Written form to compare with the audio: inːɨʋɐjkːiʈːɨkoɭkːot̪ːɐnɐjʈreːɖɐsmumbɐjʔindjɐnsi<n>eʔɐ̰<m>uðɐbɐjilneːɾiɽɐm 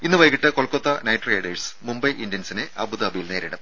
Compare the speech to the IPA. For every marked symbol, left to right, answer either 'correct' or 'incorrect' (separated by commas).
correct, incorrect